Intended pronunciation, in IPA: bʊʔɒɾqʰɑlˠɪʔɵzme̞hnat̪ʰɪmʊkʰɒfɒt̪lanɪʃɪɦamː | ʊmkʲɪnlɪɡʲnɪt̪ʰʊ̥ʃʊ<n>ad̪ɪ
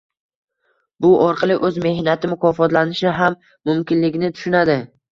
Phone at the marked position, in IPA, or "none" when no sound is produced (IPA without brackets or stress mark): n